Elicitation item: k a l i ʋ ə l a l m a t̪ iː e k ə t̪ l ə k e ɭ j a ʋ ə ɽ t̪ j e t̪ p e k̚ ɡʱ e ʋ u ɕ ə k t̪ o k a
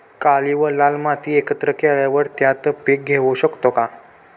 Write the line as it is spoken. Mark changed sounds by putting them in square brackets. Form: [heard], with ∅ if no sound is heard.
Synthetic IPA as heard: k a l i ʋ ə l a l m a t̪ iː e k ə t̪ [ɾ] ə k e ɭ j a ʋ ə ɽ t̪ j [a] t̪ p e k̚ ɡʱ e ʋ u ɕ ə k t̪ o k a